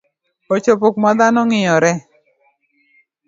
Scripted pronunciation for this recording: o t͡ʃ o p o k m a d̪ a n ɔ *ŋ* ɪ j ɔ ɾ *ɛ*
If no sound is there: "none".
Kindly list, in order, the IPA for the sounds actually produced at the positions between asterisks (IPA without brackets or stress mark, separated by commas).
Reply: ŋ, ɛ